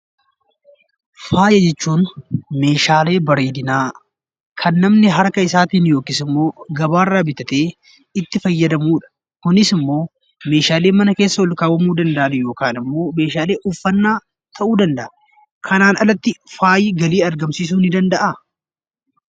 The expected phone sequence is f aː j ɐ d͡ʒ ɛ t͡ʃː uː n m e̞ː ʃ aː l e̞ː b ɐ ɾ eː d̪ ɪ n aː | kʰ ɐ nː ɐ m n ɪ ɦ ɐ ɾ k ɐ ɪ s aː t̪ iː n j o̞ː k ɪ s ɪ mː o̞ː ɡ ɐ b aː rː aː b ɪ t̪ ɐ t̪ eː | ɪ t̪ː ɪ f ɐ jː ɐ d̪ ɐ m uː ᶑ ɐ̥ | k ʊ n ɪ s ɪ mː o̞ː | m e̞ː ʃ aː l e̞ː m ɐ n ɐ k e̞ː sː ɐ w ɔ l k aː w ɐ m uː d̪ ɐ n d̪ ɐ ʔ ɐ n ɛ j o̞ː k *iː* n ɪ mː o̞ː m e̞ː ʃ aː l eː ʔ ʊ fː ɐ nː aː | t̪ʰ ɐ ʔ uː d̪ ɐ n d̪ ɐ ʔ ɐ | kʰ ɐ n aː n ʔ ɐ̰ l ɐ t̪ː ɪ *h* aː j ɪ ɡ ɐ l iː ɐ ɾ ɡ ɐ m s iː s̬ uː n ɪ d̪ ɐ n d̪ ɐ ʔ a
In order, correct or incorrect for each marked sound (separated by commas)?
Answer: incorrect, incorrect